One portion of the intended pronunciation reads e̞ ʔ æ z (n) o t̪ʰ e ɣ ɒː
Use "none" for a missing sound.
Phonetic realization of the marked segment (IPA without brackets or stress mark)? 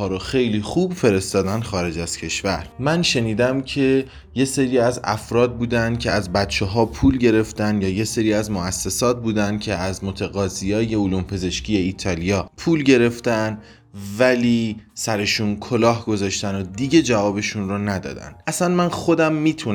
m